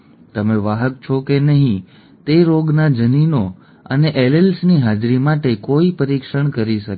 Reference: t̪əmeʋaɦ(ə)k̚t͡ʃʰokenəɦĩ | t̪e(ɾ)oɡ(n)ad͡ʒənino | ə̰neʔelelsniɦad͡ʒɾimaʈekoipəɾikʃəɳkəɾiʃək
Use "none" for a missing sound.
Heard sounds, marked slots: ə, ɾ, n

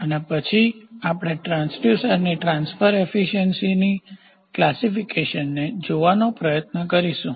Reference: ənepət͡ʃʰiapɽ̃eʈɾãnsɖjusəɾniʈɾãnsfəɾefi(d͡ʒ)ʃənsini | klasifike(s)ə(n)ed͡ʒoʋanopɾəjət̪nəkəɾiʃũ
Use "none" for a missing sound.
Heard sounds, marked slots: none, ʃ, nː

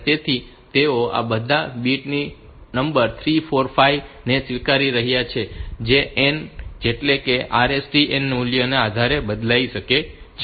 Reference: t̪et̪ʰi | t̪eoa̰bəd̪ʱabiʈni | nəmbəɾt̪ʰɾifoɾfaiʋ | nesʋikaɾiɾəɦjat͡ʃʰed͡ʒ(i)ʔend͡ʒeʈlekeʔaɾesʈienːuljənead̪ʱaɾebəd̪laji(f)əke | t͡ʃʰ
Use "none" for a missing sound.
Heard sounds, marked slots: e, ʃ

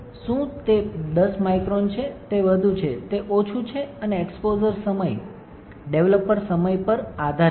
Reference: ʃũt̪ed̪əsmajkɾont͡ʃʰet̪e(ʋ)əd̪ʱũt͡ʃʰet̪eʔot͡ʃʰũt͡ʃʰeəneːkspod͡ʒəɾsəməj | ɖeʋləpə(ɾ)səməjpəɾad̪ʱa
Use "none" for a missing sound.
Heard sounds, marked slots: ʋ, ɾ

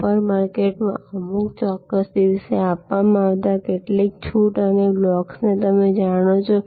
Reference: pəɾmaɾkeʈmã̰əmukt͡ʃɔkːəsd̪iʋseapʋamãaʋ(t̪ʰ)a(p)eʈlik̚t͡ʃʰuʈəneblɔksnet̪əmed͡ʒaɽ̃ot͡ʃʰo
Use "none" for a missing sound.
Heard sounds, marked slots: t̪, k

